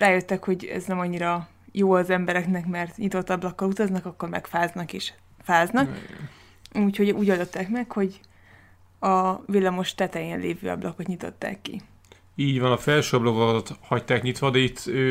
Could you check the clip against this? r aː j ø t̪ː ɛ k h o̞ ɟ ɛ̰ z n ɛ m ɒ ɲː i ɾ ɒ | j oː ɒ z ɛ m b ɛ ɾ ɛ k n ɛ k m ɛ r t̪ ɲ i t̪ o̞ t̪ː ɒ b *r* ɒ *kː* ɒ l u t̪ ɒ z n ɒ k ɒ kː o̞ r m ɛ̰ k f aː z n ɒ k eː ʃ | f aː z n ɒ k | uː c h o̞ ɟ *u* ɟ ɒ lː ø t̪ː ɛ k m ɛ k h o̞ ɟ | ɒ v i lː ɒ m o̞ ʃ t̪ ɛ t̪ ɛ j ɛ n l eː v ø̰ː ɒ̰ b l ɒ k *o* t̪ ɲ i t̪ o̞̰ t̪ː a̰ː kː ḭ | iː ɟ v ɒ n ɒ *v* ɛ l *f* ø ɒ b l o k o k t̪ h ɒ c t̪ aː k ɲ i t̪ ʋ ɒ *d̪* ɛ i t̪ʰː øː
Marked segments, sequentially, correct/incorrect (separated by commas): incorrect, correct, incorrect, correct, incorrect, incorrect, correct